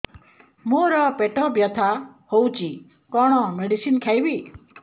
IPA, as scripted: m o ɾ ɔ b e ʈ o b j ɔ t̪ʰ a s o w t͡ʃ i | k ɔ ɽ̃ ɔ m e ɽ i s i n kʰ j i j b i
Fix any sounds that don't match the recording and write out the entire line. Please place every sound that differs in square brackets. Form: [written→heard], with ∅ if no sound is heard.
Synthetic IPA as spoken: m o ɾ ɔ [b→p] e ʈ [o→ɔ] b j ɔ t̪ʰ a [s→h] o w t͡ʃ i | k ɔ ɽ̃ ɔ m e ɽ i s i n kʰ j [i→a] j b i